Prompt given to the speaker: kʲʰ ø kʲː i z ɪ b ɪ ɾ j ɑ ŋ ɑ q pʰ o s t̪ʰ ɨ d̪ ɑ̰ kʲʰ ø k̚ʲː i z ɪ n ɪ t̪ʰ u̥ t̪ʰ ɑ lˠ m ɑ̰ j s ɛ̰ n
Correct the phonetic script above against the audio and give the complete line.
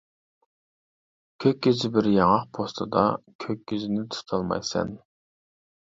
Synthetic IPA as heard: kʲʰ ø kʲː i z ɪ b ɪ ɾ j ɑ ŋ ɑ q pʰ o s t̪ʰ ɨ d̪ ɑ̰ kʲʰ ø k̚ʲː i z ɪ n ɪ t̪ʰ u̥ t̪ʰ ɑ lˠ m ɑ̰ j s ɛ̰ n